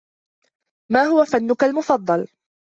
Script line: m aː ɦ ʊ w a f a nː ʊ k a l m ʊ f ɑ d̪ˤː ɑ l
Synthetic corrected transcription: m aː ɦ ʊ w a f a nː ʊ k a l m ʊ f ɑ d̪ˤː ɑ l